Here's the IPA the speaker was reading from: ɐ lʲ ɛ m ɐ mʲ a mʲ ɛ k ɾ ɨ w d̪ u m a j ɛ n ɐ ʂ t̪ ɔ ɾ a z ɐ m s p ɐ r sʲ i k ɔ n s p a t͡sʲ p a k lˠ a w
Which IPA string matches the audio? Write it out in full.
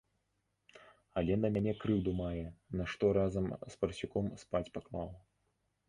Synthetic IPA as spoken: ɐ lʲ ɛ n ɐ mʲ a nʲ ɛ k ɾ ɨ w d̪ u m a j ɛ n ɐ ʂ t̪ ɔ ɾ a z ɐ m s p ɐ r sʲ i k ɔ m s p a t͡sʲ p a k lˠ a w